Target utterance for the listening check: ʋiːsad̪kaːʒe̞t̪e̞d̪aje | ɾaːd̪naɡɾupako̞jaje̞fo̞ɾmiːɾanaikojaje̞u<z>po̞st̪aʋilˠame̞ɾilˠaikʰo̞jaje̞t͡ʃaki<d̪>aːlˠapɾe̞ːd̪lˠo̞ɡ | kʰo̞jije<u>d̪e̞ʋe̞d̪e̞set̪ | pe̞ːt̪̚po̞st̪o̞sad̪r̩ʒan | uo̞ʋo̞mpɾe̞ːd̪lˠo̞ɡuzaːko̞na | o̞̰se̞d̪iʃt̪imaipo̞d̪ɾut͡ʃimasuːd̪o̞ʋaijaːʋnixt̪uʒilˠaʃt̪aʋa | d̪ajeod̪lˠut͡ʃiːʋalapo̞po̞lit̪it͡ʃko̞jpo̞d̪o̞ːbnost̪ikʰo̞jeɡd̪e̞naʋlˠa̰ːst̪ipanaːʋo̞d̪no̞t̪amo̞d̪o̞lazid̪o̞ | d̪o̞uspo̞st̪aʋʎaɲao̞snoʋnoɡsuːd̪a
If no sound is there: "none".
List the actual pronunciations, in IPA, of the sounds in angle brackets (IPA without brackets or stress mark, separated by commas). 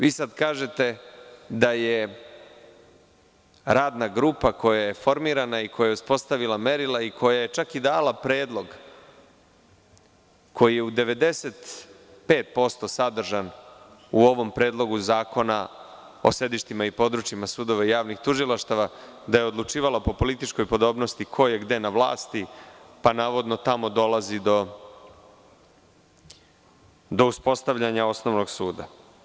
s, d̪, u